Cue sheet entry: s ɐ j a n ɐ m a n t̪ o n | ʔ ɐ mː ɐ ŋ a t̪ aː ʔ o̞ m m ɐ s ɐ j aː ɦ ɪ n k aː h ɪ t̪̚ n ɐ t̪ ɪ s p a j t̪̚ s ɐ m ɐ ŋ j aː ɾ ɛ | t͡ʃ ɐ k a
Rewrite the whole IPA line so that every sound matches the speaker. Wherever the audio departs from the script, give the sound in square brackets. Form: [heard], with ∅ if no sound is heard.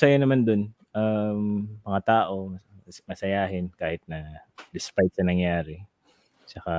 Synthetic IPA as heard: s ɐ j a n ɐ m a n [d̪] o n | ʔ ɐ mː ɐ ŋ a t̪ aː ʔ o̞ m m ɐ s ɐ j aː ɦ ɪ n k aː h ɪ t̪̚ n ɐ [d̪] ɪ s p a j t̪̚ s ɐ [n] ɐ ŋ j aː ɾ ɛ | t͡ʃ ɐ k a